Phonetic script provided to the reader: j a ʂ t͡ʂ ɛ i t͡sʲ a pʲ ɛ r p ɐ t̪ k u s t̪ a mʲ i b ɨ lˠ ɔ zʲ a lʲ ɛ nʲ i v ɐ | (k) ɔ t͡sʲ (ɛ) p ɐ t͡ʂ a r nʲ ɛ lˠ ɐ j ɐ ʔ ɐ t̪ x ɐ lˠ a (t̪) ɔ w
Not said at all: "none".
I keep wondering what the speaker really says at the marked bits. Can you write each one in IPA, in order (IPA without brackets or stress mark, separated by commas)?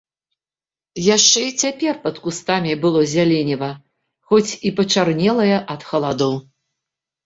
x, i, d̪